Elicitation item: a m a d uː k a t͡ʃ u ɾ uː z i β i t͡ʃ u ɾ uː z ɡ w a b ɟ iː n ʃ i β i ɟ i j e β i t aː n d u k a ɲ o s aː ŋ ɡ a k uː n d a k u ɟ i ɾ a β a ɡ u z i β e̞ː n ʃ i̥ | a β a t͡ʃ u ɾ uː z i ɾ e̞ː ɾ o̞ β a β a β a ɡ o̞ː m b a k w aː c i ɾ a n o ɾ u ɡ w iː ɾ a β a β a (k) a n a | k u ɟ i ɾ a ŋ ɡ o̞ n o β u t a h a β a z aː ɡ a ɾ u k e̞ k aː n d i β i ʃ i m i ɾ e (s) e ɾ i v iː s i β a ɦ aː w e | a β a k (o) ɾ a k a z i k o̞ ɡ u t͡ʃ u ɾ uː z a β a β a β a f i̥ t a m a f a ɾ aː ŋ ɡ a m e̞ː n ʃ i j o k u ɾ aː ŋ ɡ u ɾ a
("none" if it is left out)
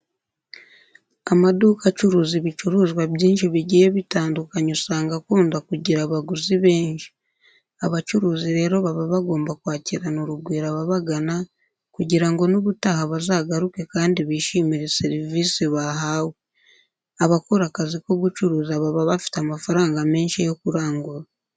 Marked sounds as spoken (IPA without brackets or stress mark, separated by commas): ɡ, s, o